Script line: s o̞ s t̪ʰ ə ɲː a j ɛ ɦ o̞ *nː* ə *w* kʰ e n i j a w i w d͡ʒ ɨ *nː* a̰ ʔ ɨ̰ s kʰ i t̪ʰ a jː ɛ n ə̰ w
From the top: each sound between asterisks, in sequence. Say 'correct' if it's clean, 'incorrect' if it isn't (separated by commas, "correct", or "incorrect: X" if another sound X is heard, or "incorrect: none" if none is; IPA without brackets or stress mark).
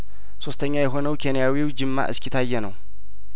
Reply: incorrect: n, correct, incorrect: mː